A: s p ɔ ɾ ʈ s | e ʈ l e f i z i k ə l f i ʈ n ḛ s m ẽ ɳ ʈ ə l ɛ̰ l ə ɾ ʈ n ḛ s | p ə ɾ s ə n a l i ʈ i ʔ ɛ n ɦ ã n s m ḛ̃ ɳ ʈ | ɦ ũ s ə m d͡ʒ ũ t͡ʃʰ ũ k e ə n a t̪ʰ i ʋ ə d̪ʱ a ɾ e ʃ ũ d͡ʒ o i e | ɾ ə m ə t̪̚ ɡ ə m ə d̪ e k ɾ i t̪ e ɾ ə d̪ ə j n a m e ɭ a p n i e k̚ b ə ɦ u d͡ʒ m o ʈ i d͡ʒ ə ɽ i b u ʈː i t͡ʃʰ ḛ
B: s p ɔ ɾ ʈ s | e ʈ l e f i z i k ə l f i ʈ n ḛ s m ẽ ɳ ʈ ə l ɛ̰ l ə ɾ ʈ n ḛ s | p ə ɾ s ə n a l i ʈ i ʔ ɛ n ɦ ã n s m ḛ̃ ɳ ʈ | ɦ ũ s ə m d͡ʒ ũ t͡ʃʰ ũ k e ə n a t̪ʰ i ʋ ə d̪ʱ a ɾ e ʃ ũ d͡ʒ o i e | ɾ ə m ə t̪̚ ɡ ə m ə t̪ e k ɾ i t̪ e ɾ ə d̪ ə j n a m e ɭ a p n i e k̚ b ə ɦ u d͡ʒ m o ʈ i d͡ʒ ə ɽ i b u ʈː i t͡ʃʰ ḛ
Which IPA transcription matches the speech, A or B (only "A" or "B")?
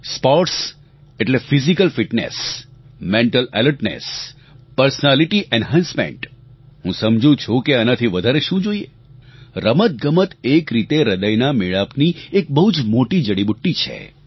B